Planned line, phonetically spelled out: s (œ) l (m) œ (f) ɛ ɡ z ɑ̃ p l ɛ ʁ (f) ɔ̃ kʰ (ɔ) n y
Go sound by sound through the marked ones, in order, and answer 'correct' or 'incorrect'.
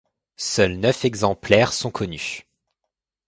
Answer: correct, incorrect, correct, incorrect, correct

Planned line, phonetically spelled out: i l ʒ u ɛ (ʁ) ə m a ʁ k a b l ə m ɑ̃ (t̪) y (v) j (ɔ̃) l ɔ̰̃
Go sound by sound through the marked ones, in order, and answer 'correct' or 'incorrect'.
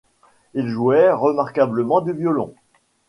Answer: correct, incorrect, correct, incorrect

